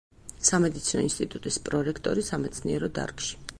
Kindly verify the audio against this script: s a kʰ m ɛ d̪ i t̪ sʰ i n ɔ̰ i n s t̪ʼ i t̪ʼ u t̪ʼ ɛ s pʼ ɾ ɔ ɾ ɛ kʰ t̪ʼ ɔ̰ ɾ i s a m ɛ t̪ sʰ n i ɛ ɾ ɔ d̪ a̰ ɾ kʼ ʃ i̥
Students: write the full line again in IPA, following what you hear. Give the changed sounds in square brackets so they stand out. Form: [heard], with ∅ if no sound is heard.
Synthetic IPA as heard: s a [∅] m ɛ d̪ i t̪ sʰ i n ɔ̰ i n s t̪ʼ i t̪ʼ u t̪ʼ [i] s pʼ ɾ ɔ ɾ ɛ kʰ t̪ʼ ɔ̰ ɾ i s a m ɛ t̪ sʰ n i ɛ ɾ ɔ d̪ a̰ ɾ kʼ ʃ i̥